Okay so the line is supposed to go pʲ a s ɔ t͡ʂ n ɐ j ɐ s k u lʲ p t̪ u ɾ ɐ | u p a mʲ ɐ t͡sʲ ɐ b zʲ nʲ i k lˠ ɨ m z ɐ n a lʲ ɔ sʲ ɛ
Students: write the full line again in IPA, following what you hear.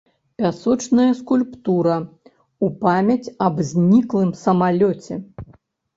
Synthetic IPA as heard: pʲ a s ɔ t͡ʂ n ɐ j ɐ s k u lʲ p t̪ u ɾ ɐ | u p a mʲ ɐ t͡sʲ ɐ b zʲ nʲ i k lˠ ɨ m s ɐ m a lʲ ɔ t͡sʲ ɛ